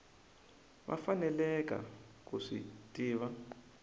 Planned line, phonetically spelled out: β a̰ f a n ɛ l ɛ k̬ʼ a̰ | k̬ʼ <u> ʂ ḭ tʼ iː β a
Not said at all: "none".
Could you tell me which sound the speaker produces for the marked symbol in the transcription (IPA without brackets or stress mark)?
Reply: u